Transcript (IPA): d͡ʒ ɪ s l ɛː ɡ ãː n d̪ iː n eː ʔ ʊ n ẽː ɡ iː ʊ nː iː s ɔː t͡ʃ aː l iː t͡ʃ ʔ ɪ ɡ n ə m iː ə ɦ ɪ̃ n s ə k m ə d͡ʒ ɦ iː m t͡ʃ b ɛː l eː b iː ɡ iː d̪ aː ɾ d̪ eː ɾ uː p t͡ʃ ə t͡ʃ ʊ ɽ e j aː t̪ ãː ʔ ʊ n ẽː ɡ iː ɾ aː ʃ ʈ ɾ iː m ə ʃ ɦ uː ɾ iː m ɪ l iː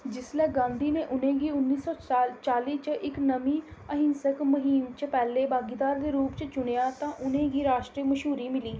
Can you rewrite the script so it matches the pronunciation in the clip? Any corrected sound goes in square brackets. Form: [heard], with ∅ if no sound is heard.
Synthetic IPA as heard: d͡ʒ ɪ s l ɛː ɡ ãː n d̪ iː n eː ʔ ʊ n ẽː ɡ iː ʊ nː iː s ɔː t͡ʃ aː l iː t͡ʃ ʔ ɪ [k] n ə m iː ə ɦ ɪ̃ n s ə k m ə [∅] ɦ iː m t͡ʃ [p] ɛː l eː b [aː] ɡ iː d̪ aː ɾ d̪ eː ɾ uː p t͡ʃ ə t͡ʃ ʊ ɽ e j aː t̪ ãː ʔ ʊ n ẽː ɡ iː ɾ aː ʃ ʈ ɾ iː m ə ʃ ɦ uː ɾ iː m ɪ l iː